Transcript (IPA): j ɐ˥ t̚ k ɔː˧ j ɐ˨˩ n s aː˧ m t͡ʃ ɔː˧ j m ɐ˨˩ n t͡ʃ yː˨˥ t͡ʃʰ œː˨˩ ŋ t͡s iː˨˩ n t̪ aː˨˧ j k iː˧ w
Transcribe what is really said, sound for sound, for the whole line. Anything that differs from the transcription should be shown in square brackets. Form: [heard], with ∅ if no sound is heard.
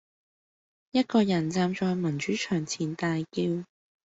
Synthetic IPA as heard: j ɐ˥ t̚ k ɔː˧ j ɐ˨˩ n [t͡s] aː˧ m t͡ʃ ɔː˧ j m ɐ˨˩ n t͡ʃ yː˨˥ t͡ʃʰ œː˨˩ ŋ [t͡sʰ] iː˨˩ n t̪ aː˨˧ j k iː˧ w